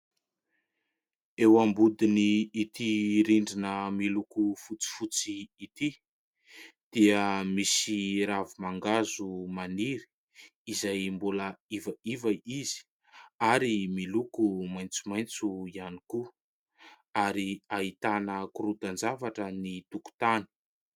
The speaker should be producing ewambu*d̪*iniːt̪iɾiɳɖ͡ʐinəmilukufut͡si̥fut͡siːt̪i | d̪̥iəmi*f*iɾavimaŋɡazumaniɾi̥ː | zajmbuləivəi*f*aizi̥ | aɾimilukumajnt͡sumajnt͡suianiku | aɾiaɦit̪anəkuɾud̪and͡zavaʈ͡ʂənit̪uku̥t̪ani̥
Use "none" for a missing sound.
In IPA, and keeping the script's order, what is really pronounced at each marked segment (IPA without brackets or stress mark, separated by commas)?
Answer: d̪, s, v